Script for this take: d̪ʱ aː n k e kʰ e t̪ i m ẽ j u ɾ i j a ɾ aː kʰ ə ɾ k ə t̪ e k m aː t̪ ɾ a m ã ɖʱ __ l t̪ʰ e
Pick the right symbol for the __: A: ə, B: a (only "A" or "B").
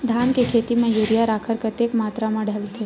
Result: A